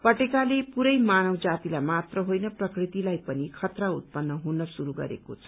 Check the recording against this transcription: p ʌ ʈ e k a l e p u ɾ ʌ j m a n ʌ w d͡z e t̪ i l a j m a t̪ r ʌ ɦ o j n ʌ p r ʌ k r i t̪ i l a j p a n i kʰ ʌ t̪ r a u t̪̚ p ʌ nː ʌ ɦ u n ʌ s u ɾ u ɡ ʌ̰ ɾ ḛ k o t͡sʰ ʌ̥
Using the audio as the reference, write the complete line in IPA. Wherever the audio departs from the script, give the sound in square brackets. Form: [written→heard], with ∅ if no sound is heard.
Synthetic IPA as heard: p ʌ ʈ e k a l e p u ɾ ʌ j m a n ʌ w d͡z [e→a] t̪ i l a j m a t̪ r ʌ ɦ o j n ʌ p r ʌ k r i t̪ i l a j p [a→ʌ] n i kʰ ʌ t̪ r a u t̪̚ p ʌ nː ʌ ɦ u n ʌ s u ɾ u ɡ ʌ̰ ɾ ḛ k o t͡sʰ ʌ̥